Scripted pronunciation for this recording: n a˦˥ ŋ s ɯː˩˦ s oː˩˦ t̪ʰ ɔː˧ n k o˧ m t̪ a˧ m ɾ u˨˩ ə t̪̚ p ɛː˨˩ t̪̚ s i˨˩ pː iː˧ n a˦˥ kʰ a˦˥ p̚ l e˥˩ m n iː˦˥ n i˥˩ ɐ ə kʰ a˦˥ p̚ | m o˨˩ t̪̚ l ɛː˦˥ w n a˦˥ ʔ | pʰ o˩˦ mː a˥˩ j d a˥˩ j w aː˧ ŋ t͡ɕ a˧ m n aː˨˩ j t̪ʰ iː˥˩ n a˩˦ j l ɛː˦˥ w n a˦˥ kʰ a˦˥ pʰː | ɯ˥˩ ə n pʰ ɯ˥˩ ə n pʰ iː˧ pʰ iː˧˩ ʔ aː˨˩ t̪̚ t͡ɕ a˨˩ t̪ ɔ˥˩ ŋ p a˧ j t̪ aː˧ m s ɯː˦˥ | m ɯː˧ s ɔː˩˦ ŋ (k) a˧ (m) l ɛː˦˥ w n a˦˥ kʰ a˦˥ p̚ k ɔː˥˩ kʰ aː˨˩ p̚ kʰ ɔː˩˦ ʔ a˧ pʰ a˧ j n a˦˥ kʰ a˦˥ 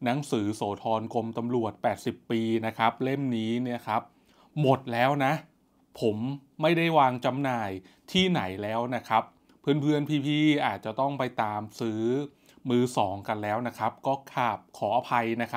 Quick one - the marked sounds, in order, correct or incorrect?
correct, incorrect

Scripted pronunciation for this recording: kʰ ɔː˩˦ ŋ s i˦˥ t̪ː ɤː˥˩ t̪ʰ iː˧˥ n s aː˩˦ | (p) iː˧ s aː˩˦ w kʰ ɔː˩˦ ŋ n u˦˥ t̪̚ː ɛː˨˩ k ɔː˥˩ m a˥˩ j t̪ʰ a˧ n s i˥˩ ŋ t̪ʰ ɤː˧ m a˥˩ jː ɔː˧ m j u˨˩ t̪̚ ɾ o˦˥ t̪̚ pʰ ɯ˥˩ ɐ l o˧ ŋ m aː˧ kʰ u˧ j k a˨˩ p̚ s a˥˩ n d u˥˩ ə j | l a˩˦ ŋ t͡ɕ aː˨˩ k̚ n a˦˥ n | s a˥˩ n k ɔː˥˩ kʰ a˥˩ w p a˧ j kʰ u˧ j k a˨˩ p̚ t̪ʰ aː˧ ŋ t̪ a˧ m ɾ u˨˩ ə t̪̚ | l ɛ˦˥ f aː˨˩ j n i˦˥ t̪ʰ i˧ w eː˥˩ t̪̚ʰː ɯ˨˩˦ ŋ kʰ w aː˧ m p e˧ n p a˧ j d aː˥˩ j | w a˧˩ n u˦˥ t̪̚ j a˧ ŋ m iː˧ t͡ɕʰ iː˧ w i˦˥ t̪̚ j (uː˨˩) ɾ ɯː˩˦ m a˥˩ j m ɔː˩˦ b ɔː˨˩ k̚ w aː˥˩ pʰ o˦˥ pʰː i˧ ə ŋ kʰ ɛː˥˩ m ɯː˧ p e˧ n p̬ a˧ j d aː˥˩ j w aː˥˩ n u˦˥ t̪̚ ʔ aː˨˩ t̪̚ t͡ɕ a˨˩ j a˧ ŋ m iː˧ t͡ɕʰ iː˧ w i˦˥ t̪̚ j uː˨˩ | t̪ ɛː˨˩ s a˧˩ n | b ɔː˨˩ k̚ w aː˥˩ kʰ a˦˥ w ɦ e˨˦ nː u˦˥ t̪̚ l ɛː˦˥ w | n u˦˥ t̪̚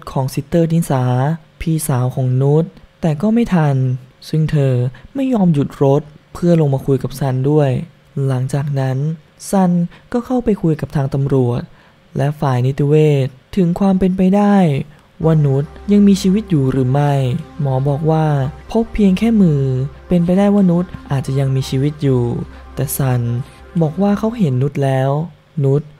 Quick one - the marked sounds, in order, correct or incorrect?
incorrect, correct

